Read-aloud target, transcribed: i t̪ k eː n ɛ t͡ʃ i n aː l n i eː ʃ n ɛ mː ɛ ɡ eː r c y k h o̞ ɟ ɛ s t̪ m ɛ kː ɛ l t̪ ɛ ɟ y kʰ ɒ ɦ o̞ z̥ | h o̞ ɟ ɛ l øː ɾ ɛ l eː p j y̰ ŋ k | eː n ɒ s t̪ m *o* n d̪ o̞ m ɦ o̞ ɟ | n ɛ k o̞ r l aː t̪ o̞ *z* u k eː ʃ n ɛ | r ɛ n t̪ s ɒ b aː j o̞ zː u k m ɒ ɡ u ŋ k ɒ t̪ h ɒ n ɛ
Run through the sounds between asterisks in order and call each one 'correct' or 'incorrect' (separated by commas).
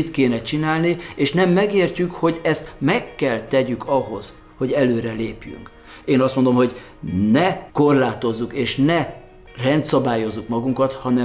correct, incorrect